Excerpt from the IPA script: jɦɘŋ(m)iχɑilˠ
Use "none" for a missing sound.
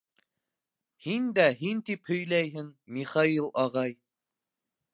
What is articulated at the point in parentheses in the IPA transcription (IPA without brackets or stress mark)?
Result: m